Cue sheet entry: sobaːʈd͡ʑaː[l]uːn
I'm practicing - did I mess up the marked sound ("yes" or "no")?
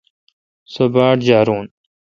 yes